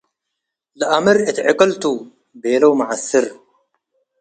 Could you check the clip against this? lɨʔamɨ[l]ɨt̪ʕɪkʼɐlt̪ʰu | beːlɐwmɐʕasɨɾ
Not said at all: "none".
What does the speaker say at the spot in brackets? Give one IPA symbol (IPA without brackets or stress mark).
ɾ